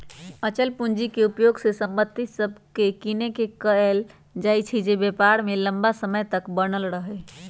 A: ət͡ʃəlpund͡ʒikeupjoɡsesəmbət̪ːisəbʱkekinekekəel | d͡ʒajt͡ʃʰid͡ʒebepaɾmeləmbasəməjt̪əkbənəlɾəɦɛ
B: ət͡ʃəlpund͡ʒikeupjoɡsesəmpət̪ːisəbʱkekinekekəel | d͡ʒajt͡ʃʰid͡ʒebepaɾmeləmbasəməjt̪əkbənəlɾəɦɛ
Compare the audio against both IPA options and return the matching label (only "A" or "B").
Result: A